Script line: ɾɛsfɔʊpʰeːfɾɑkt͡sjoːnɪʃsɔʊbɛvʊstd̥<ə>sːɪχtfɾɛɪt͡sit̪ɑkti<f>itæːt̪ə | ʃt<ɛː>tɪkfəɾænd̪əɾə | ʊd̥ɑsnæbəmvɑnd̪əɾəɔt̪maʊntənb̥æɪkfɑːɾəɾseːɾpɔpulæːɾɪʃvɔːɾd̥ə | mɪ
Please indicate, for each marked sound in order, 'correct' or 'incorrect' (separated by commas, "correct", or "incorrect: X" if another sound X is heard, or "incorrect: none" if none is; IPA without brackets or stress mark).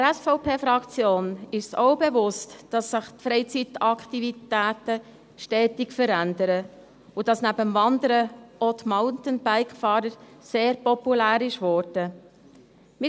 incorrect: ɑ, incorrect: v, correct